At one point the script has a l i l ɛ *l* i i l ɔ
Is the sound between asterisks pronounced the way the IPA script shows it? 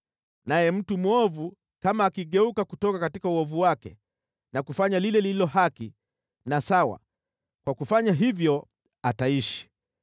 yes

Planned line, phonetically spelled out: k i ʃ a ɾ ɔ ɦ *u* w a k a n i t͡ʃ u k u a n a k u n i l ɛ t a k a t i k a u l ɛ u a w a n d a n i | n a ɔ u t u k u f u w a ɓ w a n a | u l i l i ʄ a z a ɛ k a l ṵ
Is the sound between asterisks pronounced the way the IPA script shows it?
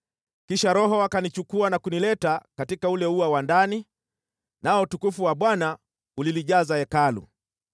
no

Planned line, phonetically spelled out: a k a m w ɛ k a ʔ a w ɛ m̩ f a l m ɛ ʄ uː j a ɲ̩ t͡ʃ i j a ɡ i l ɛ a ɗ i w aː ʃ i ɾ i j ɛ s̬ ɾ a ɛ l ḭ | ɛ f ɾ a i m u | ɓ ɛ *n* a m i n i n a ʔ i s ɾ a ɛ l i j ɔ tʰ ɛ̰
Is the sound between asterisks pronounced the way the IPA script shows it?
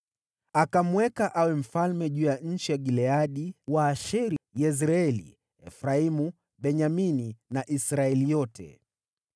no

